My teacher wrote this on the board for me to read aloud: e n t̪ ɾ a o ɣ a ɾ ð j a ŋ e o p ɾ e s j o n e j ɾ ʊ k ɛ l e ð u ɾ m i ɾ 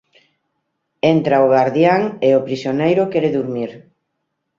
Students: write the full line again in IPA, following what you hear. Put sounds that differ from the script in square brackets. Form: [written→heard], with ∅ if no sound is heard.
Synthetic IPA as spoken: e n t̪ ɾ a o ɣ a ɾ ð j a ŋ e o p ɾ [e→i] s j o n e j ɾ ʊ k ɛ [l→ɾ] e ð u ɾ m i ɾ